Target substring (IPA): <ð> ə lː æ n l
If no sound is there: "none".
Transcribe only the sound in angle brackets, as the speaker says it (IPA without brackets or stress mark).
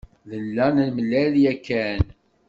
ð